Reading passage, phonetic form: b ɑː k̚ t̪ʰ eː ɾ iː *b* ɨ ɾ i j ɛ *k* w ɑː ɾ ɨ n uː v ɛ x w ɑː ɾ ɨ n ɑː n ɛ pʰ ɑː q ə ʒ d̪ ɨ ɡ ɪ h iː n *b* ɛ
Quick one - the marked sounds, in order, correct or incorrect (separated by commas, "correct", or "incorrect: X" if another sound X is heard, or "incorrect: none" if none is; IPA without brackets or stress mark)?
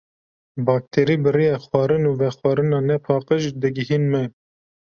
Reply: correct, incorrect: x, incorrect: m